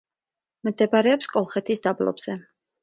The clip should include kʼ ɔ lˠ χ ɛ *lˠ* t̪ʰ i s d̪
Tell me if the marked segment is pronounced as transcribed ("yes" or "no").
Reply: no